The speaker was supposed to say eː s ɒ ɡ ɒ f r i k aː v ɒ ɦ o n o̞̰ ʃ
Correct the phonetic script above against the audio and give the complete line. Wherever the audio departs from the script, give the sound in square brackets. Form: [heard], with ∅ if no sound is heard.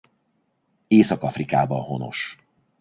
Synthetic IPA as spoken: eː s ɒ [k] ɒ f r i k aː [b] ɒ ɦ o n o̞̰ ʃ

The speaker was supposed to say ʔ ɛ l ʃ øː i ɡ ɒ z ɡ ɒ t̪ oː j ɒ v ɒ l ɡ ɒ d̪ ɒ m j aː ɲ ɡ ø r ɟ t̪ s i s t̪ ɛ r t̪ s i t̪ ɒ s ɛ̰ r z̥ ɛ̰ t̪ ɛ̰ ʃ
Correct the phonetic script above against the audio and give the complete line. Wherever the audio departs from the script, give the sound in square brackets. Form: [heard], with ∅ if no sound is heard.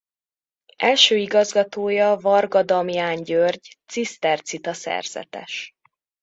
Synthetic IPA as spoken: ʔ ɛ l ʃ øː i ɡ ɒ z ɡ ɒ t̪ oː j ɒ v ɒ [r] ɡ ɒ d̪ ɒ m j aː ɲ [ɟ] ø r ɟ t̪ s i s t̪ ɛ r t̪ s i t̪ ɒ s ɛ̰ r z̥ ɛ̰ t̪ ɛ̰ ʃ

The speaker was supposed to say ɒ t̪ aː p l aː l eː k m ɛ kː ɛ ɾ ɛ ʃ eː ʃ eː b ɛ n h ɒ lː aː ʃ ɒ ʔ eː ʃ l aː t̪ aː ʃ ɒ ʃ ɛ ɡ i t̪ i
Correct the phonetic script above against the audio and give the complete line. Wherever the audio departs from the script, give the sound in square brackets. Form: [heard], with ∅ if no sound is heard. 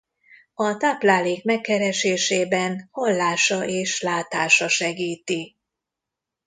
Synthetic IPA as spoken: ɒ t̪ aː p l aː l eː k m ɛ kː ɛ ɾ ɛ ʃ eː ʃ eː b ɛ n h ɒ lː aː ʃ ɒ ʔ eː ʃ l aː t̪ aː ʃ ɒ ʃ ɛ ɡ [iː] t̪ i

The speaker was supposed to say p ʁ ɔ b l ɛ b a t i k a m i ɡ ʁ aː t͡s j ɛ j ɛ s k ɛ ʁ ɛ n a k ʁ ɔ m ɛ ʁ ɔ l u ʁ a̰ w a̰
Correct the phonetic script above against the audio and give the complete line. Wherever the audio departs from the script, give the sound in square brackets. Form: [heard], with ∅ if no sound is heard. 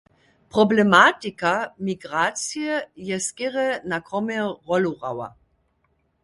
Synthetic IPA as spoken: p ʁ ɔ b l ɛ [m] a t i k a m i ɡ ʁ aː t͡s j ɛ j ɛ s k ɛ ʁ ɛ n a k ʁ ɔ m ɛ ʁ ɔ l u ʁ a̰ w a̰

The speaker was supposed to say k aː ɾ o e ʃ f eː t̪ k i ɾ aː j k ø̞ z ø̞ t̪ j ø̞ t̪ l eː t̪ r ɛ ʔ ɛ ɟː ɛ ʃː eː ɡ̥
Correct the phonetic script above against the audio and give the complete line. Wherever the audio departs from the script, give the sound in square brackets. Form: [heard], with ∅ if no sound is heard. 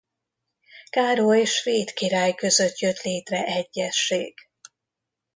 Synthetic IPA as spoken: k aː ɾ o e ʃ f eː t̪ k i ɾ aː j k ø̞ z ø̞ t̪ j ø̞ t̪ l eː t̪ r ɛ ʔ ɛ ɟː ɛ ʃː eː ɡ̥

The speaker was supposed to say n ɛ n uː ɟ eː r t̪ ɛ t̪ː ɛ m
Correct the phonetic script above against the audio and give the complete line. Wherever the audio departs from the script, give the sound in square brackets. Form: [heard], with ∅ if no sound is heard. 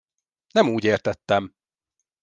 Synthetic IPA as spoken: n ɛ [m] uː ɟ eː r t̪ ɛ t̪ː ɛ m

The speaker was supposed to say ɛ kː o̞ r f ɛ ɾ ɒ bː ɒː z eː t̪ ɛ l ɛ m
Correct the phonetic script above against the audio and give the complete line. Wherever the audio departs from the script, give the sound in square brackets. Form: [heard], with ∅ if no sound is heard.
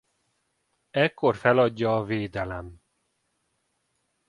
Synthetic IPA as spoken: ɛ kː o̞ r f ɛ [l] ɒ [ɟː] ɒː [v] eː [d̪] ɛ l ɛ m

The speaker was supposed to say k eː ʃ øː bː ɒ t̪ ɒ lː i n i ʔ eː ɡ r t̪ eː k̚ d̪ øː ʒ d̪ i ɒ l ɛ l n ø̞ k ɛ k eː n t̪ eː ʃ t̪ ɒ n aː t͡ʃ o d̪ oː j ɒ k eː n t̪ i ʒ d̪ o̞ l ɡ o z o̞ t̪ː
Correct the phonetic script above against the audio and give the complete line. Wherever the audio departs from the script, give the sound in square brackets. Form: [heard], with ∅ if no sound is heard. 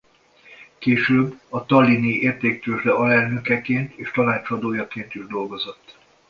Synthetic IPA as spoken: k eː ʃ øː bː ɒ t̪ ɒ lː i n i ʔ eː [∅] r t̪ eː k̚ [t̪] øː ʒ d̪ [ɛ] ɒ l ɛ l n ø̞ k ɛ k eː n t̪ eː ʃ t̪ ɒ n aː t͡ʃ [ɒ] d̪ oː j ɒ k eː n t̪ i ʒ d̪ o̞ l ɡ o z o̞ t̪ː

